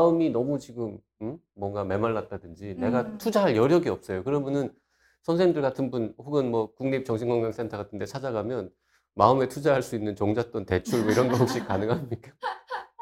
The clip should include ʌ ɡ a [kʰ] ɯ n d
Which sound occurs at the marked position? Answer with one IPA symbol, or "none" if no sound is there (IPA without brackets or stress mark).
tʰ